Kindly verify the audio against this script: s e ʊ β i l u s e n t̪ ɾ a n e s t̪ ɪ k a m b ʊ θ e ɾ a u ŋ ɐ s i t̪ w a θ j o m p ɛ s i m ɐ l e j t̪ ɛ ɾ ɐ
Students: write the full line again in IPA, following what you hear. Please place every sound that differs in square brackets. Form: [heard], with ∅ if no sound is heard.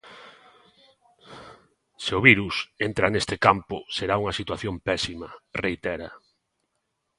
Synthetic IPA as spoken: s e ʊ β i [ɾ] u s e n t̪ ɾ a n e s t̪ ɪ k a m [p] ʊ [s] e ɾ a u ŋ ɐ s i t̪ w a θ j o m p ɛ s i m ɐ [r] e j t̪ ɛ ɾ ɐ